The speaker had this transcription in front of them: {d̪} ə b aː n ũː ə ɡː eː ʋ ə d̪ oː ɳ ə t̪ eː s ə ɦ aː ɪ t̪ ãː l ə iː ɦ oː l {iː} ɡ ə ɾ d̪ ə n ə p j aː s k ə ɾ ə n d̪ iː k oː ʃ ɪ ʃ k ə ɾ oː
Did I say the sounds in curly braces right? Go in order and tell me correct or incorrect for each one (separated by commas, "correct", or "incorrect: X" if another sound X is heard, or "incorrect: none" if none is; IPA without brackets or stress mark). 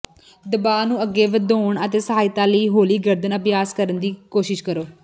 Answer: correct, correct